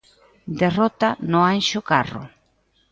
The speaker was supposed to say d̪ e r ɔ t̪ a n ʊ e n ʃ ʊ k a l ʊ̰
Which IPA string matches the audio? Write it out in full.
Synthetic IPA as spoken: d̪ e r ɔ t̪ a n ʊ a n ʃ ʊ k a r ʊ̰